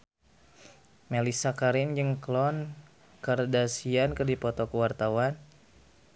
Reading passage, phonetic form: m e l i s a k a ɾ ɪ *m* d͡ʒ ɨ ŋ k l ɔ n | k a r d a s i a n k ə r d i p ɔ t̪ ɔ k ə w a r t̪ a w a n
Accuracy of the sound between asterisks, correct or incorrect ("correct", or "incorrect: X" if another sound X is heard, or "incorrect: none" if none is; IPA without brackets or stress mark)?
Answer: incorrect: n